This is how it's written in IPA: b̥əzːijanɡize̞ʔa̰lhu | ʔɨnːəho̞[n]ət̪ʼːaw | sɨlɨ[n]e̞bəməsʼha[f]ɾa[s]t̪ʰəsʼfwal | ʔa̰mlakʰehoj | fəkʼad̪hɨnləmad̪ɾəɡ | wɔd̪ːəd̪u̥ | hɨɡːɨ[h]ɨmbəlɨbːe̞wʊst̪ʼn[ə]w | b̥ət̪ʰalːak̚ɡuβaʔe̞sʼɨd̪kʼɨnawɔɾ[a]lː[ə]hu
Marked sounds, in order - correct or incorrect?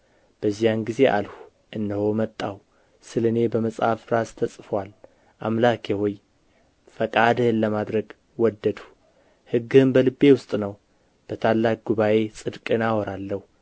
incorrect, correct, correct, correct, correct, correct, correct, correct

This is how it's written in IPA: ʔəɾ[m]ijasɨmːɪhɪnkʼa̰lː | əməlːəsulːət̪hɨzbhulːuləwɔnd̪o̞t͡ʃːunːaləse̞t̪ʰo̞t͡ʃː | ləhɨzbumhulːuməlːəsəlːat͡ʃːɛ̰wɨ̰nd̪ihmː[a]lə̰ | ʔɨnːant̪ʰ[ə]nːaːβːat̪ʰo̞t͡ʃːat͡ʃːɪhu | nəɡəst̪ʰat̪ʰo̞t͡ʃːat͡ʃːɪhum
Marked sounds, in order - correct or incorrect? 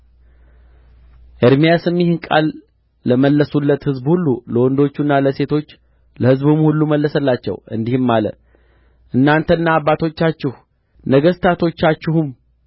correct, correct, correct

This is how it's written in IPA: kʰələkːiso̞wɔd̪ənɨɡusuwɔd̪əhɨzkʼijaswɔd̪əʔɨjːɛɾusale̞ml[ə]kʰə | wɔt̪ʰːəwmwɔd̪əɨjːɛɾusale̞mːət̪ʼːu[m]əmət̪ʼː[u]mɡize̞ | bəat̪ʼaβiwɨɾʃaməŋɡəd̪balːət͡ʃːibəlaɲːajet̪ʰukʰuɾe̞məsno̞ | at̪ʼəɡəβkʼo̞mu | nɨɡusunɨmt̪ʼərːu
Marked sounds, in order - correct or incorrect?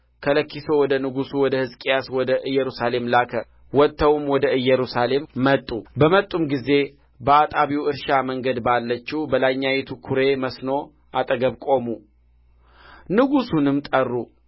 incorrect, incorrect, correct

